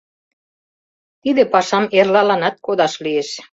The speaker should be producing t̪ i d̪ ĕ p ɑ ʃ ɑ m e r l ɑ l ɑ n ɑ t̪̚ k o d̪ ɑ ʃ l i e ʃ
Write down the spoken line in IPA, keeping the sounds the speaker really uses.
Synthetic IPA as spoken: t̪ i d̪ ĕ p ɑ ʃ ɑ m e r l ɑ l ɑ n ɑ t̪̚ k o d̪ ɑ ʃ l i e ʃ